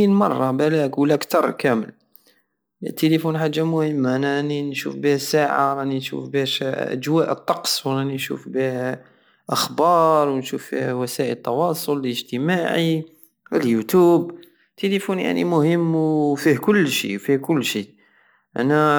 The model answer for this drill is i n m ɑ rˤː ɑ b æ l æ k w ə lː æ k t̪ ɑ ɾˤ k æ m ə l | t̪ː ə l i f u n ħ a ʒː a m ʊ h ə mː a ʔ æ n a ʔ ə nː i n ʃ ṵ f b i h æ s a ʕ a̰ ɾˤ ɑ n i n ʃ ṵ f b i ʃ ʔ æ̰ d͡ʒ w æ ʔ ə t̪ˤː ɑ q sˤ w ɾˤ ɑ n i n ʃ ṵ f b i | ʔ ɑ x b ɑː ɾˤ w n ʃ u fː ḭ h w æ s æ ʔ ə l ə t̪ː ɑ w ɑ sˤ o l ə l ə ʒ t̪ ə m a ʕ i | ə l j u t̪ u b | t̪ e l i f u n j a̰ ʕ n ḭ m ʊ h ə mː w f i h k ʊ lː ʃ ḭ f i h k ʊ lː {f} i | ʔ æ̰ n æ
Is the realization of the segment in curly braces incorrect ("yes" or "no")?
yes